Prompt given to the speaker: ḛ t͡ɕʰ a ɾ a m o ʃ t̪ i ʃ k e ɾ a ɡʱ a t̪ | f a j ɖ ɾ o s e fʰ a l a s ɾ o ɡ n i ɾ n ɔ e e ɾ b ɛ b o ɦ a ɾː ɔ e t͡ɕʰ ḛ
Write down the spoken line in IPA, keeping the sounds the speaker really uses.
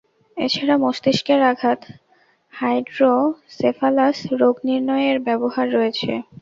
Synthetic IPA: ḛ t͡ɕʰ a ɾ a m o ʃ t̪ i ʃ k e ɾ a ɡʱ a t̪ | h a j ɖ ɾ o s e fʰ a l a s ɾ o ɡ n i ɾ n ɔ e e ɾ b ɛ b o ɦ a ɾː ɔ e t͡ɕʰ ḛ